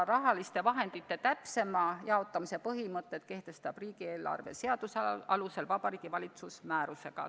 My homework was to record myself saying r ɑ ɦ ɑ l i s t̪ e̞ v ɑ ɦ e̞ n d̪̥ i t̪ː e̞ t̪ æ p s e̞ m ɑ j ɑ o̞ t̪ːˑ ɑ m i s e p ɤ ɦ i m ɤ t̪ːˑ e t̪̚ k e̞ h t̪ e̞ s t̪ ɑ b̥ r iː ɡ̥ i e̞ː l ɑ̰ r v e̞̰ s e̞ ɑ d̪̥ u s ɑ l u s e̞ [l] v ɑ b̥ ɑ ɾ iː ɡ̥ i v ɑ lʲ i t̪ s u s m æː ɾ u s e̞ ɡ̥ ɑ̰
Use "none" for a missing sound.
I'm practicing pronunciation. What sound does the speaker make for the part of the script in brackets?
l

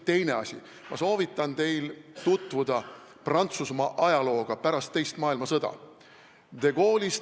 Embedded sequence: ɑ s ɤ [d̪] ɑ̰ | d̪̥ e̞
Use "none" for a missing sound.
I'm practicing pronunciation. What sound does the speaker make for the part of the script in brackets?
d̪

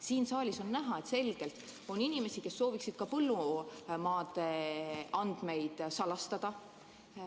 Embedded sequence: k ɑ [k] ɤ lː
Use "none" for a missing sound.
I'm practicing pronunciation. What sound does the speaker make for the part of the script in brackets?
p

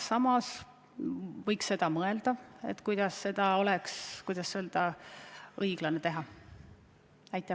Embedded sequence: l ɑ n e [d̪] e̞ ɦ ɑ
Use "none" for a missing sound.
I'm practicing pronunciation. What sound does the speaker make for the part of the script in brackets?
t̪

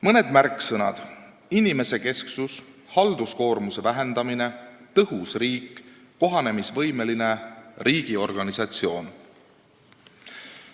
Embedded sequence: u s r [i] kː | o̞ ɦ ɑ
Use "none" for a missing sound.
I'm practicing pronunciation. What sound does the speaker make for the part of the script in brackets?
iː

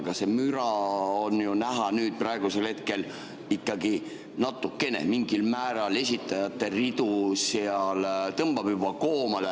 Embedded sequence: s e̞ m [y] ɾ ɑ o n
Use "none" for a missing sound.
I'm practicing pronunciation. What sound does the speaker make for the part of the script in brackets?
y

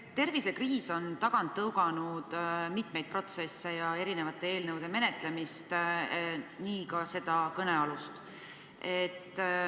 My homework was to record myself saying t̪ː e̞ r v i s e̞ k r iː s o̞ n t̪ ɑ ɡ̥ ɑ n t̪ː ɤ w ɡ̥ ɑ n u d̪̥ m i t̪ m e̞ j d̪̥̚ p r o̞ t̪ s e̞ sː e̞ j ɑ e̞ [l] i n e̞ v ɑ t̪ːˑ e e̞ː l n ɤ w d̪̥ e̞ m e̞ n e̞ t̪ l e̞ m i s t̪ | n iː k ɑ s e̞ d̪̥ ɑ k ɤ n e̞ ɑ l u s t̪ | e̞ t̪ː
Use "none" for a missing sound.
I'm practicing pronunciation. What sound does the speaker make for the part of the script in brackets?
ɾ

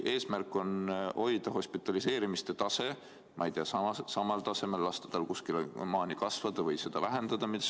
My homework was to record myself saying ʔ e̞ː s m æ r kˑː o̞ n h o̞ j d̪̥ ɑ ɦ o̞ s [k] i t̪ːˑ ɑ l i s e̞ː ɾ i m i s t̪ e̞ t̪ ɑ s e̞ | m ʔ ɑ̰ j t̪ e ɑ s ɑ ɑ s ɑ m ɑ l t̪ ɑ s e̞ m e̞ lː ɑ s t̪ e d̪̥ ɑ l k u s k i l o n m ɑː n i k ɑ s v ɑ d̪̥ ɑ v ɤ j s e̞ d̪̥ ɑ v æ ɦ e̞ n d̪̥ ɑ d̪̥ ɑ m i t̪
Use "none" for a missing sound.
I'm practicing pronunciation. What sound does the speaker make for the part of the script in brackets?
p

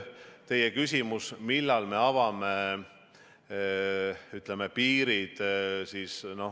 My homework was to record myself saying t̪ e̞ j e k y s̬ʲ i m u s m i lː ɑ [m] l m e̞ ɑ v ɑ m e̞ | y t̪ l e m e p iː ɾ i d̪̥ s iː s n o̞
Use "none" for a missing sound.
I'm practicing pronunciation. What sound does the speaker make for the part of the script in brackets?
none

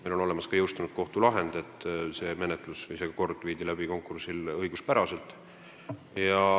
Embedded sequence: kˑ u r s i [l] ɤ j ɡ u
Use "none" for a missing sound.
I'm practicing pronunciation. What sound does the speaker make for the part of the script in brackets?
l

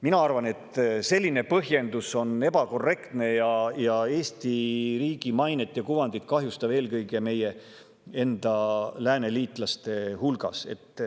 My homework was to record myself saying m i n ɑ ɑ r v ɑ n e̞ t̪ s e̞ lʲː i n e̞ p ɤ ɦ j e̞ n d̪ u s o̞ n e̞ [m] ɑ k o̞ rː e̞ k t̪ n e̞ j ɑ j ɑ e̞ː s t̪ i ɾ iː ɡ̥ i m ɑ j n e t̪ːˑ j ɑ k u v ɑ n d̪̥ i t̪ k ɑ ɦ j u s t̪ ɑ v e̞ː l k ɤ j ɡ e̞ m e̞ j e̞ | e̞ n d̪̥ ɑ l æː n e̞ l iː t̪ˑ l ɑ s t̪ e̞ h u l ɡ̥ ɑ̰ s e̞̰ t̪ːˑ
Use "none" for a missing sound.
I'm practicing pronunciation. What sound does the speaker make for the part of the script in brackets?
b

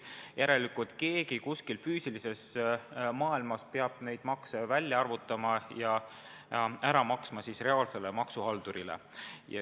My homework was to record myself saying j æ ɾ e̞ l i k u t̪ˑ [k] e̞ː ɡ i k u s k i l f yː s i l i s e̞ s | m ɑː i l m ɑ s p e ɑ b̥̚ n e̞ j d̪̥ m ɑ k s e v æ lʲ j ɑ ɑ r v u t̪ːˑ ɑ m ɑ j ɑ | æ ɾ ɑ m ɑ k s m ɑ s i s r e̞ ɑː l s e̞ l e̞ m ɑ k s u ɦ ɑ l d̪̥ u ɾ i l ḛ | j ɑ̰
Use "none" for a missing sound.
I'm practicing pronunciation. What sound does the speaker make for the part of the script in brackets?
k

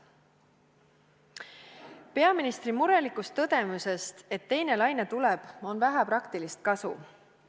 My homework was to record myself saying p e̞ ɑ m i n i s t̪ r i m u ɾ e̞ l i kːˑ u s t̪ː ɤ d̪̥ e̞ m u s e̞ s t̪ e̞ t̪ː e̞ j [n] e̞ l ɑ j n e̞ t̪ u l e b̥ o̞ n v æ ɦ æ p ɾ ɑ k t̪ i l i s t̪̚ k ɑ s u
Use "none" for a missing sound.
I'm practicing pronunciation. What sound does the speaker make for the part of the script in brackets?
n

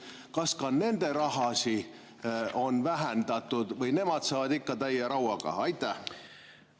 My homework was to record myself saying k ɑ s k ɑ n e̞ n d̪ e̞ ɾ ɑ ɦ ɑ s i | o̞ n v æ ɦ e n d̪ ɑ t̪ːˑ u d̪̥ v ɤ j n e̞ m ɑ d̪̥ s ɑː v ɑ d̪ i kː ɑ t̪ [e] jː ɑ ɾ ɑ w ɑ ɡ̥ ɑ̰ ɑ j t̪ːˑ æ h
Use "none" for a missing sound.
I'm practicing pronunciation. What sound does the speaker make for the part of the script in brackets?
æ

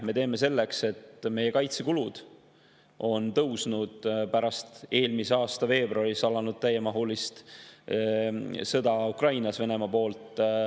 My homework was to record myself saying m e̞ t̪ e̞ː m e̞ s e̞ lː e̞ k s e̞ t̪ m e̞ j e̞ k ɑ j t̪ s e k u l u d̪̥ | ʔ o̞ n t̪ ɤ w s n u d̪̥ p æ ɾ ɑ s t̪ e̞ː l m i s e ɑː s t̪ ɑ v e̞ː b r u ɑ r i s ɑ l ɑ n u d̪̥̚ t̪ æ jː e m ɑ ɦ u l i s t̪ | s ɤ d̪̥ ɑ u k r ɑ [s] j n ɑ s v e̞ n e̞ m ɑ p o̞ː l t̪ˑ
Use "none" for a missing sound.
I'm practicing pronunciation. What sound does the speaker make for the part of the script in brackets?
none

